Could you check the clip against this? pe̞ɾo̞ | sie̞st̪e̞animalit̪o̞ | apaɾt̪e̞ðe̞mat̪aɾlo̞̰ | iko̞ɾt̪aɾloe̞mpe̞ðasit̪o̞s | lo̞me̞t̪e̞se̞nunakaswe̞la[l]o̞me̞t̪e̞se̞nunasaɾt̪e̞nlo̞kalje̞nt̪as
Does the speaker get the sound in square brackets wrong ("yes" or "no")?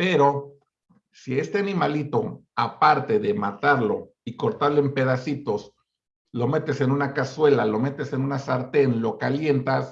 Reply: no